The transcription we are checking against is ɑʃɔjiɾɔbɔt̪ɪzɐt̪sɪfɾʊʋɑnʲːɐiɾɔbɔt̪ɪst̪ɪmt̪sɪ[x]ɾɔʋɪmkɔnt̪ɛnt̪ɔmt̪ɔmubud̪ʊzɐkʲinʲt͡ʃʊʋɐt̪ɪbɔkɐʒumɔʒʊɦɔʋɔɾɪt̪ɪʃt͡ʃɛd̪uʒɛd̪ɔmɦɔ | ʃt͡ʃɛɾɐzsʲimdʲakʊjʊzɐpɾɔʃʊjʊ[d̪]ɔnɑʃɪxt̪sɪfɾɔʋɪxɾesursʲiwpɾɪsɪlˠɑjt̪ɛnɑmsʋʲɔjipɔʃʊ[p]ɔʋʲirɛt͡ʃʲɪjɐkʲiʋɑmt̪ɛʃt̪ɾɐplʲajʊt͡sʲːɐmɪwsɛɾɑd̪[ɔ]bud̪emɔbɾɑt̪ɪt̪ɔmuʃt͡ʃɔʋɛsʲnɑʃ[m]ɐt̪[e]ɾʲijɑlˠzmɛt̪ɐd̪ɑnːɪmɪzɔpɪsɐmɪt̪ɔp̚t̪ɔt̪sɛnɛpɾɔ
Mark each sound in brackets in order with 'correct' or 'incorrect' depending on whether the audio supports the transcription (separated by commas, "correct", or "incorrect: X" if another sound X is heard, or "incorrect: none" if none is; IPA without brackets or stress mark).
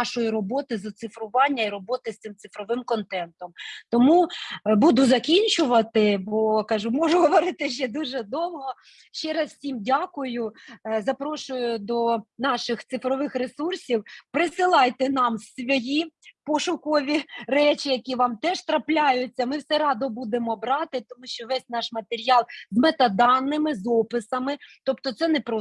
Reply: incorrect: f, correct, incorrect: k, correct, correct, correct